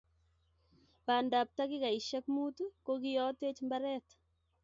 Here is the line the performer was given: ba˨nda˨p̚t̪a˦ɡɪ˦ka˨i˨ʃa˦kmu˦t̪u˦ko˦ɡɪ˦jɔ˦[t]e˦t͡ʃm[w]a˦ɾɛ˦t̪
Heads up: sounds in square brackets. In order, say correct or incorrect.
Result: correct, incorrect: b

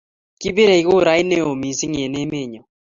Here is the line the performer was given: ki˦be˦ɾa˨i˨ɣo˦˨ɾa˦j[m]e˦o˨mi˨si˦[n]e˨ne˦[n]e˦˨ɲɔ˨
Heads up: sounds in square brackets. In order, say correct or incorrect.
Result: incorrect: n, incorrect: ŋ, incorrect: m

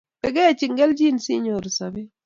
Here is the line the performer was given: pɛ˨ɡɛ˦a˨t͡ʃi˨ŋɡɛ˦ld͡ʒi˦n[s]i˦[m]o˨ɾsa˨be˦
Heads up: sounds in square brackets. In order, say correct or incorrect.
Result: correct, incorrect: ɲ

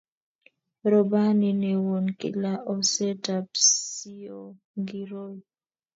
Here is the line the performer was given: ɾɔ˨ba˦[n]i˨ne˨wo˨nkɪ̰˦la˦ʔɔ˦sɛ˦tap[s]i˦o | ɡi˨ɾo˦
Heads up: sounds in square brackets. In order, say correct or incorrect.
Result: correct, correct

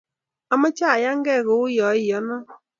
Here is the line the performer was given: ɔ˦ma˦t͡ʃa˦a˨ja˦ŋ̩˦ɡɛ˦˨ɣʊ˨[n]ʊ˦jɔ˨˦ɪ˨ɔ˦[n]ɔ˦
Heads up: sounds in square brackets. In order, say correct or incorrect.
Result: incorrect: none, correct

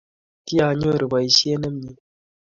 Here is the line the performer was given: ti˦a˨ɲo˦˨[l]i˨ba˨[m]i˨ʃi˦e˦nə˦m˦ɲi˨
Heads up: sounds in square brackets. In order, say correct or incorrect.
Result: incorrect: ɾ, incorrect: none

